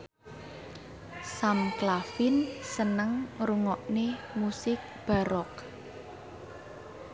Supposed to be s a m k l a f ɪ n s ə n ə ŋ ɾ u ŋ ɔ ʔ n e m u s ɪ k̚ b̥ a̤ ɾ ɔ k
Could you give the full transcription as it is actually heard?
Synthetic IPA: s a m k l a f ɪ n s ə n ə ŋ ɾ u ŋ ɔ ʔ n e m u s ɪ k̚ b̥ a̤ ɾ ɔ k

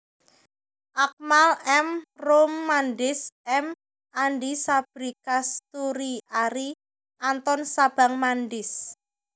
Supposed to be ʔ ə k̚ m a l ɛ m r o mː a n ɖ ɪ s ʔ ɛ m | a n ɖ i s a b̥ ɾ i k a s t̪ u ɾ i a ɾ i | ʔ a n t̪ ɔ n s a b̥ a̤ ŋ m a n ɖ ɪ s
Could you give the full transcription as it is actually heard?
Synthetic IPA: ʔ a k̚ m a l ɛ m r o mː a n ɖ ɪ s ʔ ɛ m | a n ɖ i s a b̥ ɾ i k a s t̪ u ɾ i a ɾ i | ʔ a n t̪ ɔ n s a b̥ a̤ ŋ m a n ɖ ɪ s

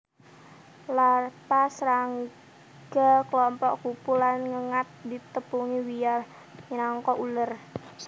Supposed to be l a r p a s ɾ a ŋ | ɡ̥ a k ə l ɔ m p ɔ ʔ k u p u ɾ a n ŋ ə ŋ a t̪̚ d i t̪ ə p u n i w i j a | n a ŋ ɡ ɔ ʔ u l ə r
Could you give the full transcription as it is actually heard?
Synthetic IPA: l a r p a s ɾ a ŋ | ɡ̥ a k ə l ɔ m p ɔ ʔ k u p u l a n ŋ ə ŋ a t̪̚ d i t̪ ə p u ŋ i w i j a | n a ŋ k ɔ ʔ u l ə r

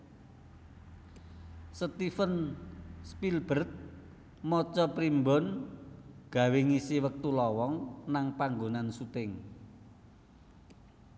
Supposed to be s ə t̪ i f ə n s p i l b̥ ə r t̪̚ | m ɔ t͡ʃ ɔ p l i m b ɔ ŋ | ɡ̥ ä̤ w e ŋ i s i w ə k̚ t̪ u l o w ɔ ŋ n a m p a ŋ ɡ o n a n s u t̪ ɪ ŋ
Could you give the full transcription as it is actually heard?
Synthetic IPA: s ə t̪ i f ə n s p i l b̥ ə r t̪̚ | m ɔ t͡ʃ ɔ p ɾ i m b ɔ n | ɡ̥ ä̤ w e ŋ i s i w ə k̚ t̪ u l ɔ w ɔ ŋ n a ŋ p a ŋ ɡ o n a n s u t̪ ɪ ŋ

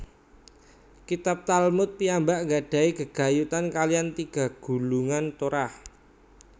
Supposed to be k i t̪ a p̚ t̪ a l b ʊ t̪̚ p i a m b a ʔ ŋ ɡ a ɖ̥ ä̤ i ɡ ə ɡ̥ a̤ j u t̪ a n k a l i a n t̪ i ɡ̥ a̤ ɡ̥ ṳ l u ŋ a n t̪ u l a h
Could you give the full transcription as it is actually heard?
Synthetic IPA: k i t̪ a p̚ t̪ a l m ʊ t̪̚ p i a m b a ʔ ŋ ɡ a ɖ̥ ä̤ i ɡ ə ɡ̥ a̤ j u t̪ a n k a l i a n t̪ i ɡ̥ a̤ ɡ̥ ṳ l u ŋ a n t̪ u ɾ a h

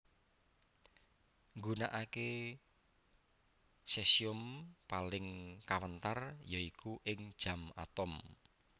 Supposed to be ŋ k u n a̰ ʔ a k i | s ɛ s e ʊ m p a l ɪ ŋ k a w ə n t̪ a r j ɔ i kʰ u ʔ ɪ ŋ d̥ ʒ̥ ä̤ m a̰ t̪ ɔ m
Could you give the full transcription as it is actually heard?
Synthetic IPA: ŋ ɡ u n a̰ ʔ a k e | s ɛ s i ʊ m p a l ɪ ŋ k a w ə n t̪ a r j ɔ i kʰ u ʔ ɪ ŋ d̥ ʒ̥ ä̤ m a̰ t̪ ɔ m

